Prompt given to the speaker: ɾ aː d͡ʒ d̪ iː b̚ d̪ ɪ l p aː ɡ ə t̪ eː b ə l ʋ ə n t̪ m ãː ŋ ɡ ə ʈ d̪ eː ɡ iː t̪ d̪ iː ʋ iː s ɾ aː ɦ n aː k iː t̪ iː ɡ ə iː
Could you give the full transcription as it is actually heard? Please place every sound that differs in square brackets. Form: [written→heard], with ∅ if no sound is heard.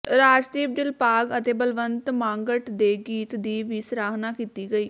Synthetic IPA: ɾ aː d͡ʒ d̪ iː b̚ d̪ ɪ l p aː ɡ ə t̪ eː b ə l ʋ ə n t̪ m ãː ŋ ɡ ə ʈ d̪ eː ɡ iː t̪ d̪ iː ʋ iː s ɾ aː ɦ n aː k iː t̪ iː ɡ ə iː